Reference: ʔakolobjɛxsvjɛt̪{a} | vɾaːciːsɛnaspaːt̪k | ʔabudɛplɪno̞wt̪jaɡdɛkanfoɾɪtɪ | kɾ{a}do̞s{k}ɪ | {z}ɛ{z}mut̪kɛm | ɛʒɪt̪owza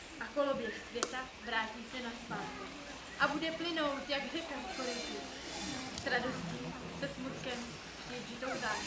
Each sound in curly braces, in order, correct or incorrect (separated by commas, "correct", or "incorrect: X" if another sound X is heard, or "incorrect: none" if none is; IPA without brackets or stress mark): correct, correct, incorrect: c, incorrect: s, incorrect: s